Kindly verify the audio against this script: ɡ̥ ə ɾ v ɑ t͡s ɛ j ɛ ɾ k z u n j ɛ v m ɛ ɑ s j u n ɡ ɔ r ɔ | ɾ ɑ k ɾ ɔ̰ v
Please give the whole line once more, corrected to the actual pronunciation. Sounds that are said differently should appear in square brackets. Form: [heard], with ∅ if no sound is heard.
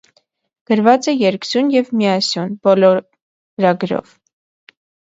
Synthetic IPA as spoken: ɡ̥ ə ɾ v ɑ t͡s ɛ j ɛ ɾ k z u n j ɛ v m [i] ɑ s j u n [b] ɔ [l] ɔ | ɾ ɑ [ɡ] ɾ ɔ̰ v